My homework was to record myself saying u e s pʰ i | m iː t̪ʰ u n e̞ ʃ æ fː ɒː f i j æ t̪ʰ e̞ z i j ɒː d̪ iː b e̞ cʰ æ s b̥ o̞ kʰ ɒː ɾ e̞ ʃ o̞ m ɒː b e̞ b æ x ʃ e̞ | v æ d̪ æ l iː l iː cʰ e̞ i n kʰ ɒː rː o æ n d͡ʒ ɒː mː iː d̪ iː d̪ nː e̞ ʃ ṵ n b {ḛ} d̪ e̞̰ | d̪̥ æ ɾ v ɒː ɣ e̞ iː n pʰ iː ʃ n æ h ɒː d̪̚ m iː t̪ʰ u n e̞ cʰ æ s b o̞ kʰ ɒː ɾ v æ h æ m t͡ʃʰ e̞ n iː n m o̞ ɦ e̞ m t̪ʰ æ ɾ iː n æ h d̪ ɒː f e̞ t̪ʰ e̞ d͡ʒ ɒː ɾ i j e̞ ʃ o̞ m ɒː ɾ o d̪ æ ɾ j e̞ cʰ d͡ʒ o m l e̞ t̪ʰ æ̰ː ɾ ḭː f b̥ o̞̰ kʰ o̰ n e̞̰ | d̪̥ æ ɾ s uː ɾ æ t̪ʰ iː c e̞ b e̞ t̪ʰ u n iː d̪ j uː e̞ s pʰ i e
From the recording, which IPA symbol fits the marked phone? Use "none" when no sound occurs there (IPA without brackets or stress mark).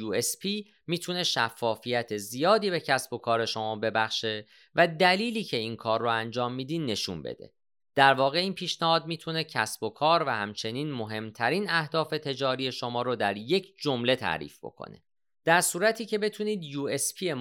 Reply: ḛ